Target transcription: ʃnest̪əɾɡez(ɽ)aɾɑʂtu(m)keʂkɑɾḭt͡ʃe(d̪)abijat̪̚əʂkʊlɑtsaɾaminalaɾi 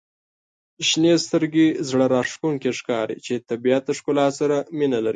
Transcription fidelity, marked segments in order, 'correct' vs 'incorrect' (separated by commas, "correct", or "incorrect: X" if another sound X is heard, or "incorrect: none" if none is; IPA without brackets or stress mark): correct, incorrect: ŋ, incorrect: t̪